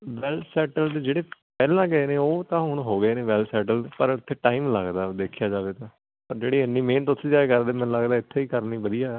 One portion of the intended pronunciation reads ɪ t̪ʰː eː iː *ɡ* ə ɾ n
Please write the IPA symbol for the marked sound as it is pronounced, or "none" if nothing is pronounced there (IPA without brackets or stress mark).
k